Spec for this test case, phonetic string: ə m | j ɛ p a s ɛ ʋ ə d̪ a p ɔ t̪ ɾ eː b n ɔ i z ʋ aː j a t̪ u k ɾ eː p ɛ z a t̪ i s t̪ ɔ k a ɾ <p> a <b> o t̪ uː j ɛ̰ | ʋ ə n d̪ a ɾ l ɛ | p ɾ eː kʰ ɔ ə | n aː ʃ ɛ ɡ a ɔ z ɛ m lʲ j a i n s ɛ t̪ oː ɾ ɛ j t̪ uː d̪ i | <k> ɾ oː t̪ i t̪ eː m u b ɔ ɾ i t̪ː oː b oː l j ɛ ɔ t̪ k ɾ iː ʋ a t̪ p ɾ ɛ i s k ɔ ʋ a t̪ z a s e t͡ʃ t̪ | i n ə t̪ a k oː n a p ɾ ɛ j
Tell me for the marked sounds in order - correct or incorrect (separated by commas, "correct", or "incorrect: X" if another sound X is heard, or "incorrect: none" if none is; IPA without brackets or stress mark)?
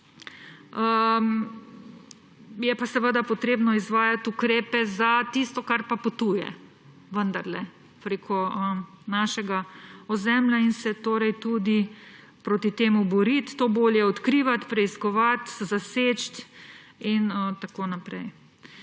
correct, incorrect: p, incorrect: p